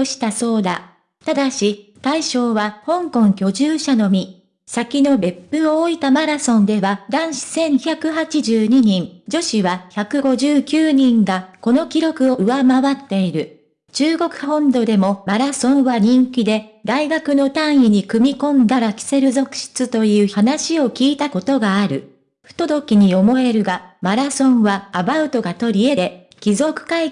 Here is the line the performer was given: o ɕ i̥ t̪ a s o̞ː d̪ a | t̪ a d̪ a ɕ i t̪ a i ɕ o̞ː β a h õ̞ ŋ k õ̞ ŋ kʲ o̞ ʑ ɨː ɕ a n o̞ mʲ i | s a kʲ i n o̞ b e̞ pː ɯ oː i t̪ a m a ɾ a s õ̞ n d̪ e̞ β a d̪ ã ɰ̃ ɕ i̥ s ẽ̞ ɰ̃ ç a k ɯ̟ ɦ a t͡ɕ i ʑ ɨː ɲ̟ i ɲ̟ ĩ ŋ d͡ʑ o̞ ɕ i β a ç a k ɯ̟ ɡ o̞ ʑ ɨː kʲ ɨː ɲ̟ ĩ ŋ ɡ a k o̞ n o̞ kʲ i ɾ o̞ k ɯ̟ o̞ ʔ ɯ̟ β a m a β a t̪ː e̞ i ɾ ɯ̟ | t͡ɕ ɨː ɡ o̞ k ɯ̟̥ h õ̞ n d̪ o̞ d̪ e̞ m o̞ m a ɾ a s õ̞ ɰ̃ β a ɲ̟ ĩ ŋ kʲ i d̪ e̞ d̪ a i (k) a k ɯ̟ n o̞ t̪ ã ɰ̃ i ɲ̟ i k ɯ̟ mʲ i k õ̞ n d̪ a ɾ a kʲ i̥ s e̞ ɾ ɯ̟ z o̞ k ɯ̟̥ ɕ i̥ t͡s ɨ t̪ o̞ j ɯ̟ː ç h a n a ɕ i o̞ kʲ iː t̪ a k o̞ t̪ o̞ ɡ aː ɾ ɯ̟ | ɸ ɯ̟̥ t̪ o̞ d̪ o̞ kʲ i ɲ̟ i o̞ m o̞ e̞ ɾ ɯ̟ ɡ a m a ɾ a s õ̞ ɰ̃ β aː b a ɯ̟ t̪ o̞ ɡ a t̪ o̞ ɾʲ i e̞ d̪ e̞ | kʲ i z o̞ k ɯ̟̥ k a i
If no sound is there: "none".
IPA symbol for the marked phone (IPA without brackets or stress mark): ɡ